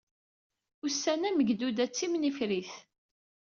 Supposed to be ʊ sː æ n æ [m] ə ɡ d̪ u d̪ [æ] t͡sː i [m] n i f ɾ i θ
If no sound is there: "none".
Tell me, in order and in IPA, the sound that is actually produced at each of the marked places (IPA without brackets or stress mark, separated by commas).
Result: m, æ, m